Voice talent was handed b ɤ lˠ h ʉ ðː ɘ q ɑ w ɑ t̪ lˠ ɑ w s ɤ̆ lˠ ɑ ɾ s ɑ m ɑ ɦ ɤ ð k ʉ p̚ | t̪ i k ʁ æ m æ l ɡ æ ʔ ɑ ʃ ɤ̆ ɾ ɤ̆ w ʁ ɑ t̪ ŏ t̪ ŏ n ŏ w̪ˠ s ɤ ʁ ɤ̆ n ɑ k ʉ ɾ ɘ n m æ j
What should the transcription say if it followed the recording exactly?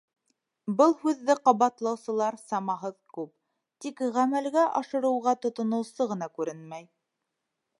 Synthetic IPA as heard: b ɤ lˠ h ʉ ðː ɘ q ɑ β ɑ t̪ lˠ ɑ w s ɤ̆ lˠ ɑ ɾ s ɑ m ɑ ɦ ɤ ð k ʉ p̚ | t̪ i k ʁ æ m æ l ɡ æ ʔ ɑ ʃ ɤ̆ ɾ ɤ̆ w ʁ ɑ t̪ ŏ t̪ ŏ n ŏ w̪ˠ s ɤ ʁ ɤ̆ n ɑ k ʉ ɾ ɘ n m æ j